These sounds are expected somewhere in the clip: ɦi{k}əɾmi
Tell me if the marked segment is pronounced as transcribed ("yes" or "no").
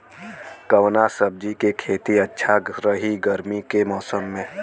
no